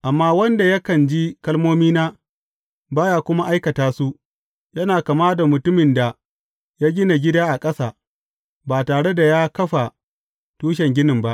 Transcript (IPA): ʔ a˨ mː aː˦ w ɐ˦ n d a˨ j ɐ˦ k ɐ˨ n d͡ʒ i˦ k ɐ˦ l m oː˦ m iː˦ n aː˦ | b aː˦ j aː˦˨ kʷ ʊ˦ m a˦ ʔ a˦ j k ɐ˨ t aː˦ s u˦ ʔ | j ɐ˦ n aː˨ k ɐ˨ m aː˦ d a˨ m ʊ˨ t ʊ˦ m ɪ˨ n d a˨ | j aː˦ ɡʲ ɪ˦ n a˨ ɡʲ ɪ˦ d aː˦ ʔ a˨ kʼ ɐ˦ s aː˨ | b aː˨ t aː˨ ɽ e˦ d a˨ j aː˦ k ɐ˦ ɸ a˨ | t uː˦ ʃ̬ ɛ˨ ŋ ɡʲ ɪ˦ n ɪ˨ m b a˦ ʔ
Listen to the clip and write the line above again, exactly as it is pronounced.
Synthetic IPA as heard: ʔ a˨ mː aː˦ w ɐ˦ n d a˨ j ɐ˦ k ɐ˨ n d͡ʒ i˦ k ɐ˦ l m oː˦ m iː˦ n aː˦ | b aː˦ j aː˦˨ kʷ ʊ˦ m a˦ ʔ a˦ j k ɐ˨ t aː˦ s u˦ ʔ | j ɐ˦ n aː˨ k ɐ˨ m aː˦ d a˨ m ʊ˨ t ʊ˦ m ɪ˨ n d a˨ | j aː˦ ɡʲ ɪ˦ n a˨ ɡʲ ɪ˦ d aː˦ ʔ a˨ kʼ ɐ˦ s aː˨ | b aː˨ t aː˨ ɽ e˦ d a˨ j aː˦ k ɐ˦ ɸ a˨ | t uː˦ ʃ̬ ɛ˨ ŋ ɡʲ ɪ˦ n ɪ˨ m b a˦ ʔ